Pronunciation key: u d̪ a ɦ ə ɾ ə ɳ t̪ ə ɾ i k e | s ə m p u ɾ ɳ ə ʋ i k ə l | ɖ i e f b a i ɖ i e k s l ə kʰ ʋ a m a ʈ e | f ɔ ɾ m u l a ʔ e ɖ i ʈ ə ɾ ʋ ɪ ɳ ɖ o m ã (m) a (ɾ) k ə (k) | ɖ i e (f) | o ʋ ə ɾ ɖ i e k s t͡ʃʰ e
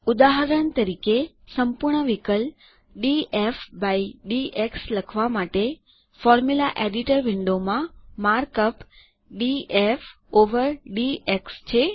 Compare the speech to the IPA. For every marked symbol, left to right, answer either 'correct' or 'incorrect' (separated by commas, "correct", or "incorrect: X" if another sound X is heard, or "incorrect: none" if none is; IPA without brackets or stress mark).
correct, correct, incorrect: p, correct